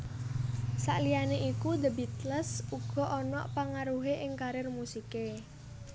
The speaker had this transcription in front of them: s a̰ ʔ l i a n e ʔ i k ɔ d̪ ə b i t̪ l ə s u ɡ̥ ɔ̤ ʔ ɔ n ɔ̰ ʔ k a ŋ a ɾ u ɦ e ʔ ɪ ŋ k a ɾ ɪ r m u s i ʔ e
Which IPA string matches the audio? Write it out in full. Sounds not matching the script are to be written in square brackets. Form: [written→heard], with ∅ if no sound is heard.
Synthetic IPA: s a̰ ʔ l i a n e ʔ i k [ɔ→u] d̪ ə b i t̪ l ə s u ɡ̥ ɔ̤ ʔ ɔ n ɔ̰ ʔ [k→p] a ŋ a ɾ u ɦ e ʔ ɪ ŋ k a ɾ ɪ r m u s i [ʔ→k] e